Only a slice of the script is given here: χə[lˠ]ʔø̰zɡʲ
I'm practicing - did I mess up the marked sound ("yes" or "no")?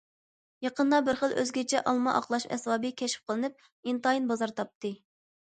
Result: no